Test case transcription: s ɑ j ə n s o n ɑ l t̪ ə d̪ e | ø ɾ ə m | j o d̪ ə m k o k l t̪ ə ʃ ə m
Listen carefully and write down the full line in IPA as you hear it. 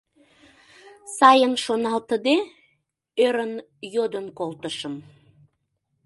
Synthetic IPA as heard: s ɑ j ə n ʃ o n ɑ l t̪ ə d̪ e | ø ɾ ə n | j o d̪ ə n k o l t̪ ə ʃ ə m